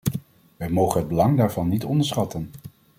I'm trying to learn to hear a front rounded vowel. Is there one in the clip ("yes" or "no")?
no